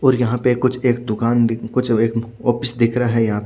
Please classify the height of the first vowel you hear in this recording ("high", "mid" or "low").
mid